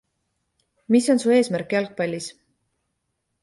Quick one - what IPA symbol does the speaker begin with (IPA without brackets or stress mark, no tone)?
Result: m